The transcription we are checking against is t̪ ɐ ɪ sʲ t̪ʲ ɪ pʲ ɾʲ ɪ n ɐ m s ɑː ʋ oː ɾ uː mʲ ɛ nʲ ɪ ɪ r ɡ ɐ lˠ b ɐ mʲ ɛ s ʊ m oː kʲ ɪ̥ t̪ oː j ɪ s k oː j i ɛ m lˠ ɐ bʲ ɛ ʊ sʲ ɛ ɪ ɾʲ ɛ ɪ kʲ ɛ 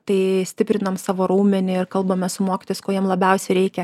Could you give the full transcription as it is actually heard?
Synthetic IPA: t̪ ɐ ɪ sʲ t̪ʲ ɪ pʲ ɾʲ ɪ n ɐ m s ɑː ʋ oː ɾ uː mʲ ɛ nʲ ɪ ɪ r k ɐ lˠ b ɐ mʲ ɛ s ʊ m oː kʲ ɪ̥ t̪ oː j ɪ s k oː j i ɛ m lˠ ɐ bʲ ɛ ʊ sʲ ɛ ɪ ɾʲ ɛ ɪ kʲ ɛ